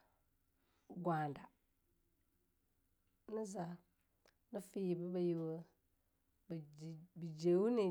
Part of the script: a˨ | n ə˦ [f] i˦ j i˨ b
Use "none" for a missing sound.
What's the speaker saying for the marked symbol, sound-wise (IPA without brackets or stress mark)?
f